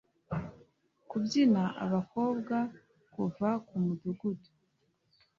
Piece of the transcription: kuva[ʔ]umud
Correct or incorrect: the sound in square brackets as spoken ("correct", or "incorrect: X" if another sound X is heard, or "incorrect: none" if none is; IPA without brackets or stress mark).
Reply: incorrect: k